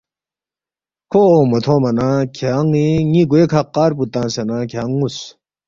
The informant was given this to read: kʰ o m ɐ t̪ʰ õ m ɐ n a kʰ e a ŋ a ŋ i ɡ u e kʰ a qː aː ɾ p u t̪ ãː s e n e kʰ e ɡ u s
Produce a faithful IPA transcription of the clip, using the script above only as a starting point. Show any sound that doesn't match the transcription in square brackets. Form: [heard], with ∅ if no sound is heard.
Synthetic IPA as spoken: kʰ o m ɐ t̪ʰ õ m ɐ n a kʰ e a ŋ [i] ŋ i ɡ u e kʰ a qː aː ɾ p u t̪ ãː s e n [a] kʰ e [ŋ] u s